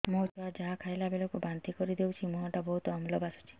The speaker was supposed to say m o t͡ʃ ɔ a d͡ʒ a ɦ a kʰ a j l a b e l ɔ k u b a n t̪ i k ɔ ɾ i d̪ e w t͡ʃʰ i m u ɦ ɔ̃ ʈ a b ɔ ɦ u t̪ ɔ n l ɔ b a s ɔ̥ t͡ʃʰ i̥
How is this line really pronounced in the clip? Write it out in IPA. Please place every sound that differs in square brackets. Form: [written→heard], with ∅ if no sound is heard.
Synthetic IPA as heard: m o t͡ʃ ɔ a d͡ʒ a ɦ a kʰ a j l a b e l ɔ k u b a n t̪ i k ɔ ɾ i d̪ e w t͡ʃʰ i m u ɦ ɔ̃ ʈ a b ɔ ɦ u t̪ ɔ [n→m] l ɔ b a s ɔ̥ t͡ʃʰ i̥